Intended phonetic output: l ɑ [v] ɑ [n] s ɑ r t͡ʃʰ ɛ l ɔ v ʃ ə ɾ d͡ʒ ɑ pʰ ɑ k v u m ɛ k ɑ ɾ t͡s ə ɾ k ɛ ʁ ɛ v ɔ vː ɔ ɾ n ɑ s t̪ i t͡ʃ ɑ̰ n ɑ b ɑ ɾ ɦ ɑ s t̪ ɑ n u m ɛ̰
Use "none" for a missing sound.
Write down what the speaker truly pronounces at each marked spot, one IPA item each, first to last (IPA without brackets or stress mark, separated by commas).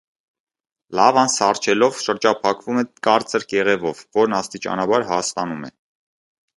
v, n